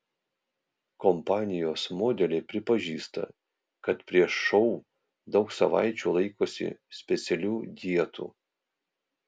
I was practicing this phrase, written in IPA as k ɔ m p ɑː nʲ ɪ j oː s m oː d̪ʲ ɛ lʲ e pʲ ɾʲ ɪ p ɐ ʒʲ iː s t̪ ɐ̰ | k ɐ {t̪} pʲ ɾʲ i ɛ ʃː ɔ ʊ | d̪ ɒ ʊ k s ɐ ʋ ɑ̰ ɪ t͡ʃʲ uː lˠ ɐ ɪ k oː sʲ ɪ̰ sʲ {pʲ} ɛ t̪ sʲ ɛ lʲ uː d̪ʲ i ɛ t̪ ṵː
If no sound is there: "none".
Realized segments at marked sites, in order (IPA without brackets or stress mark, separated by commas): t̪, pʲ